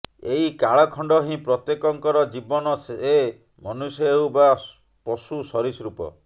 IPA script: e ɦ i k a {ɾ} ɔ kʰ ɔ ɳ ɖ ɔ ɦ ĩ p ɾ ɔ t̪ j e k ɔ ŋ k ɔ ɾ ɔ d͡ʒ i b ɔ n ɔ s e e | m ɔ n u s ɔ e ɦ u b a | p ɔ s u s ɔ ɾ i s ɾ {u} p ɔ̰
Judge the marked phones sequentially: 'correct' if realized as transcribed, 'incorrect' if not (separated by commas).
incorrect, correct